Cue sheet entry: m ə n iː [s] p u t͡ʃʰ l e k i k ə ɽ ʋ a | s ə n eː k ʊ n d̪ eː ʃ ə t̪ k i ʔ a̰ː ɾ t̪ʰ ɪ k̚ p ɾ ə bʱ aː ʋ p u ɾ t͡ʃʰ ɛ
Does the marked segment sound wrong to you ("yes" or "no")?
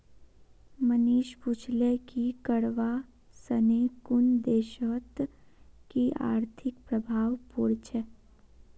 yes